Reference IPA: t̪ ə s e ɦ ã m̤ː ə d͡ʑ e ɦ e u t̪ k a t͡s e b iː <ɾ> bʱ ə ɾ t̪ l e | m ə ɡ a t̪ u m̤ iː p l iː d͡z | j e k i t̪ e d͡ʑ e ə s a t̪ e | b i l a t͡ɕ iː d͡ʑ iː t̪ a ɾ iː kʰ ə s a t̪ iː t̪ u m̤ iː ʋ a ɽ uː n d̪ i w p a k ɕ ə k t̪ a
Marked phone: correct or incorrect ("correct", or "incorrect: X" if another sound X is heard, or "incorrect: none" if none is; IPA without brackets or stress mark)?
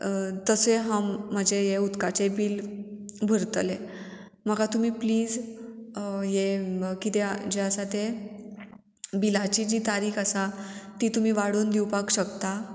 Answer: incorrect: l